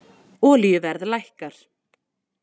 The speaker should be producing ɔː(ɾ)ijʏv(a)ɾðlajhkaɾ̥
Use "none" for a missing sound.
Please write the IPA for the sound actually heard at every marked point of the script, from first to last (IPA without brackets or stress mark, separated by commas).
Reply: l, ɛ